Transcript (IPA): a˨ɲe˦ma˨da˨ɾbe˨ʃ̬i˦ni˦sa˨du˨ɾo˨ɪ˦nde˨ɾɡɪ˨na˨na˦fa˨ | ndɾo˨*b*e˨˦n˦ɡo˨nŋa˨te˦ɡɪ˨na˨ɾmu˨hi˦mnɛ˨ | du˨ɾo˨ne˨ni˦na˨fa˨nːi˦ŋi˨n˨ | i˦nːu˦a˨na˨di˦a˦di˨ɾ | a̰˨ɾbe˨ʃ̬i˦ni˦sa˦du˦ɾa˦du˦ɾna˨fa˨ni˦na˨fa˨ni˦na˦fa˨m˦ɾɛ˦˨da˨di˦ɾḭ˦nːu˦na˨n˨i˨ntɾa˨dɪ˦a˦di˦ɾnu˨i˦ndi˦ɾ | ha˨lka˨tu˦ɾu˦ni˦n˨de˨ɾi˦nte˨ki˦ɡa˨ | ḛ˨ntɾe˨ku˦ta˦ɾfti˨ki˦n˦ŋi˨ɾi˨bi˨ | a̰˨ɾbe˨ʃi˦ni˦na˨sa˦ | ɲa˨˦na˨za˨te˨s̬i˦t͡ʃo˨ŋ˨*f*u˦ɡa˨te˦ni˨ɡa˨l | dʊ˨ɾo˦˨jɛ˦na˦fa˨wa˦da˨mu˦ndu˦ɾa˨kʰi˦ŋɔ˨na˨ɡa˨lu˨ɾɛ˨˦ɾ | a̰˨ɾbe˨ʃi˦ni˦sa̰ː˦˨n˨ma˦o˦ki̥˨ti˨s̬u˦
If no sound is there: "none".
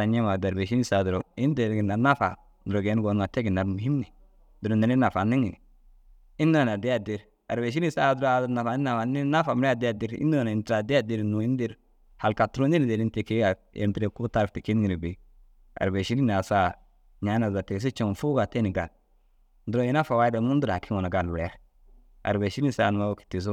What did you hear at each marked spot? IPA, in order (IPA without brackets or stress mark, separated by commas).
ɡ, f